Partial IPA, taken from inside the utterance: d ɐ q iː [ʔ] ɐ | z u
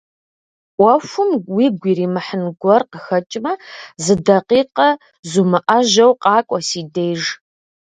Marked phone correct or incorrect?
incorrect